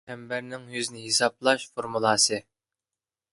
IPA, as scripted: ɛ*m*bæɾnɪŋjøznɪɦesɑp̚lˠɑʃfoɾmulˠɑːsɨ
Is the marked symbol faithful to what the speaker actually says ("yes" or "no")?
yes